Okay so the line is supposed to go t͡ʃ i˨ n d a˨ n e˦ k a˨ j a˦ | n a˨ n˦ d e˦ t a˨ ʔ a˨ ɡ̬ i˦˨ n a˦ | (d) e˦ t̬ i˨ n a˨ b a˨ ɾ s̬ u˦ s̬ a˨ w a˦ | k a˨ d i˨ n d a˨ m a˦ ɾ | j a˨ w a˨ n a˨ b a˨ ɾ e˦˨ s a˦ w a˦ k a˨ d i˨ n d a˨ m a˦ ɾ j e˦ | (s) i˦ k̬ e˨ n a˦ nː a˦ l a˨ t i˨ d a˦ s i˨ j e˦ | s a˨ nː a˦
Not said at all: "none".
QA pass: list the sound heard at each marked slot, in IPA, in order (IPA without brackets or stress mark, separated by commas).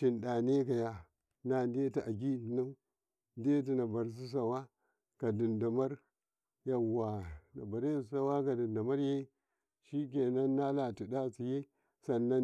d, ʃ